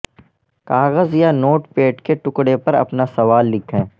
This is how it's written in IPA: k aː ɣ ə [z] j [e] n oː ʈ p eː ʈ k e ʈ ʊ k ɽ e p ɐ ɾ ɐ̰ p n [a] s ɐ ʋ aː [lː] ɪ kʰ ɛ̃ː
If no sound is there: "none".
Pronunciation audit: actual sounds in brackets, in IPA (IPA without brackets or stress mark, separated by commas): z, a, a, lː